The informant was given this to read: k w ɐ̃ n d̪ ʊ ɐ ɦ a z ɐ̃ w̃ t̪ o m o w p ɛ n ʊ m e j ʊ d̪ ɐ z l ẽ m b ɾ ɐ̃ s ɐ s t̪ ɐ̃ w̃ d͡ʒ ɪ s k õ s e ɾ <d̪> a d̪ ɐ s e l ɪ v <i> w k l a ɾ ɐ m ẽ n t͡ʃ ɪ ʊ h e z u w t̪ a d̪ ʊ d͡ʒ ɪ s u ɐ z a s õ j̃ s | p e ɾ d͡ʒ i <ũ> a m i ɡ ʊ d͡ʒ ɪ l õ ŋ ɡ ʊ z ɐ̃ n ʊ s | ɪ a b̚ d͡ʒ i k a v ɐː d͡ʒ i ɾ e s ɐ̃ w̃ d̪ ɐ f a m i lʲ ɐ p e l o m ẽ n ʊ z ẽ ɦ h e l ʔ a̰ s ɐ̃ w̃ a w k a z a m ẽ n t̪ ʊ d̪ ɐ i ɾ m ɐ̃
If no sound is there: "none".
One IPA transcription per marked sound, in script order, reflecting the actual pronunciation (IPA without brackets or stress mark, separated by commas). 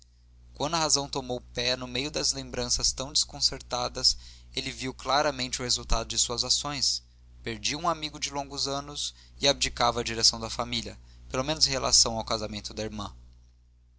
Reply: t̪, i, ũ